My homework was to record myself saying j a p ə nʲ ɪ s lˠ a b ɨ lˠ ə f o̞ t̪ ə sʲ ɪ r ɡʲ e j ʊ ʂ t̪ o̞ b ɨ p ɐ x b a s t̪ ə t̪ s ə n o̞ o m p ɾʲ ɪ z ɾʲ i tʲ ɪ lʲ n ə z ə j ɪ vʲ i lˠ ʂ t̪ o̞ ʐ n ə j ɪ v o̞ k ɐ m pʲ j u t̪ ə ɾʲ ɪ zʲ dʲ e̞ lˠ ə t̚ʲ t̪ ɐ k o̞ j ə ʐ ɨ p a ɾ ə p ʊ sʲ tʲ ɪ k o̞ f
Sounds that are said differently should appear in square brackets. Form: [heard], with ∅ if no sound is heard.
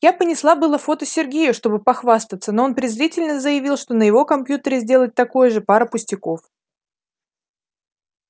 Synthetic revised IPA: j a p ə nʲ ɪ s lˠ a b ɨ lˠ ə f o̞ t̪ ə sʲ ɪ r ɡʲ e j ʊ ʂ t̪ o̞ b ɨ p ɐ x [v] a s t̪ ə t̪ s ə n o̞ o [n] p ɾʲ ɪ z ɾʲ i tʲ ɪ lʲ n ə z ə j ɪ vʲ i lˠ ʂ t̪ o̞ [∅] n ə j ɪ v o̞ k ɐ m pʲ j u t̪ ə ɾʲ ɪ zʲ dʲ e̞ lˠ ə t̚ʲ t̪ ɐ k o̞ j ə ʐ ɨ p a ɾ ə p ʊ sʲ tʲ ɪ k o̞ f

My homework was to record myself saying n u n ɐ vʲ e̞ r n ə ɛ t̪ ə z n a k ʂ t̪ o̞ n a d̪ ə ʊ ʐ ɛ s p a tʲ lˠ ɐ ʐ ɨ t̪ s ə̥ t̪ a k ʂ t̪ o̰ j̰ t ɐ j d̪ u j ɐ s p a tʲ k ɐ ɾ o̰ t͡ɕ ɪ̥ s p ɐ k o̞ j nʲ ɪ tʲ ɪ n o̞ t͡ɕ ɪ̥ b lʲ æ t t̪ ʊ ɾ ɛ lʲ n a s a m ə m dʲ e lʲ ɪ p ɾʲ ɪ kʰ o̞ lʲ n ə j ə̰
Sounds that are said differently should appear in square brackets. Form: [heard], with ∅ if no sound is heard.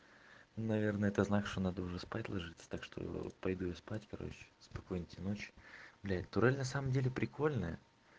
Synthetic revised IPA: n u n ɐ vʲ e̞ r n ə ɛ t̪ ə z n a k ʂ t̪ o̞ n a d̪ ə ʊ ʐ ɛ s p a tʲ lˠ ɐ ʐ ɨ t̪ s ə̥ t̪ a k ʂ t̪ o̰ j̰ [p] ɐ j d̪ u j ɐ s p a tʲ k ɐ ɾ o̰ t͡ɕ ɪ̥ s p ɐ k o̞ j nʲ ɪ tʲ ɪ n o̞ t͡ɕ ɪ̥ b lʲ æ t t̪ ʊ ɾ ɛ lʲ n [ɐ] s a m ə m dʲ e lʲ ɪ p ɾʲ ɪ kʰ o̞ lʲ n ə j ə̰

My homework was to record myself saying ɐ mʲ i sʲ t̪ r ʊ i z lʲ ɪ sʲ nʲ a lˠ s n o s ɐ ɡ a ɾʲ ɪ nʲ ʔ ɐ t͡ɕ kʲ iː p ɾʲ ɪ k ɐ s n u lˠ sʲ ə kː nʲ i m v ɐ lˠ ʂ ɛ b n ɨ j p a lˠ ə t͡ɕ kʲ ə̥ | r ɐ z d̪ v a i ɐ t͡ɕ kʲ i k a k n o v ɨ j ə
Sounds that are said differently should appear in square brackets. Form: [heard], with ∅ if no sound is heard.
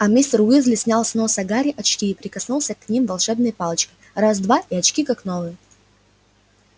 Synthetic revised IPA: ɐ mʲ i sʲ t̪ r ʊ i z lʲ ɪ sʲ nʲ a lˠ s n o s ɐ ɡ a ɾʲ ɪ [∅] ʔ ɐ t͡ɕ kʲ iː p ɾʲ ɪ k ɐ s n u lˠ sʲ ə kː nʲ i m v ɐ lˠ ʂ ɛ b n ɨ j p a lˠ ə t͡ɕ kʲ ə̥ | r [a] z d̪ v a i ɐ t͡ɕ kʲ i k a k n o v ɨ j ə

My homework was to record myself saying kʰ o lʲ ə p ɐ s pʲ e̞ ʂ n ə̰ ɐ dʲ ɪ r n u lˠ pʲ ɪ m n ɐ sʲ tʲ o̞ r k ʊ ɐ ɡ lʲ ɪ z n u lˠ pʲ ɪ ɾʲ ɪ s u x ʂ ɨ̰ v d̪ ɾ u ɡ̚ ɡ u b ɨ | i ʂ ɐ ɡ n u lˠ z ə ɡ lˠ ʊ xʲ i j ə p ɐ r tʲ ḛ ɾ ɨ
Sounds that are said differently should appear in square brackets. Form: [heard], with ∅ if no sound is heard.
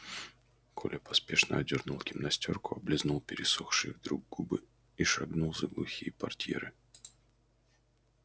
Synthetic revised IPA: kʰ o lʲ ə p ɐ s pʲ e̞ ʂ n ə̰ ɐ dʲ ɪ r n u lˠ [kʲ] ɪ m n ɐ sʲ tʲ o̞ r k ʊ ɐ [b] lʲ ɪ z n u lˠ pʲ ɪ ɾʲ ɪ s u x ʂ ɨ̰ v d̪ ɾ u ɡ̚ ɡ u b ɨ | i ʂ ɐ ɡ n u lˠ z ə ɡ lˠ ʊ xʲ i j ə p ɐ r tʲ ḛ ɾ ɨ

